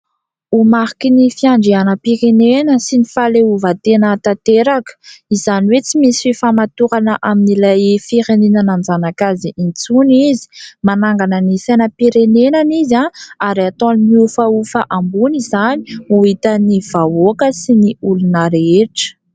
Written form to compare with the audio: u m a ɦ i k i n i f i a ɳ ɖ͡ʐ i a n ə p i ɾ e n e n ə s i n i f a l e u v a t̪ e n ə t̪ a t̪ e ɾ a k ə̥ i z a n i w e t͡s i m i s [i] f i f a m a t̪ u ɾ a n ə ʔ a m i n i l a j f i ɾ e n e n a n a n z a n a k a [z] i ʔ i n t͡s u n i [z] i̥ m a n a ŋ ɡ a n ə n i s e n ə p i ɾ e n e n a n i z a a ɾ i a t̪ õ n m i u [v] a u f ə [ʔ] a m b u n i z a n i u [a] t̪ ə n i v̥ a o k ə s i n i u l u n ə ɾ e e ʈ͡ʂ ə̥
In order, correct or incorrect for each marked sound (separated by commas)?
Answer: correct, correct, correct, incorrect, correct, incorrect